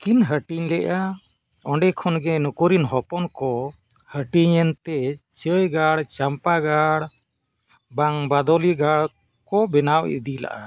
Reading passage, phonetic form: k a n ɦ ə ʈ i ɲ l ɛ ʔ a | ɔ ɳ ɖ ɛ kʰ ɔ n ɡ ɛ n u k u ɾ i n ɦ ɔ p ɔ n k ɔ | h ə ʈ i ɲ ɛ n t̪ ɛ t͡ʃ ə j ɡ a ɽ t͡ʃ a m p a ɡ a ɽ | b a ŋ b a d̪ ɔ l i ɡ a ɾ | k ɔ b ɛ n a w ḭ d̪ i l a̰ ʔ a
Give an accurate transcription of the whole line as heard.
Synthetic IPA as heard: k i n ɦ ə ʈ i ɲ l ɛ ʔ a | ɔ ɳ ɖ ɛ kʰ ɔ n ɡ ɛ n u k u ɾ i n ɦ ɔ p ɔ n k ɔ | h ə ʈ i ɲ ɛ n t̪ ɛ t͡ʃ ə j ɡ a ɽ t͡ʃ a m p a ɡ a ɽ | b a ŋ b a d̪ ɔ l i ɡ a ɽ | k ɔ b ɛ n a w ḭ d̪ i l a̰ ʔ a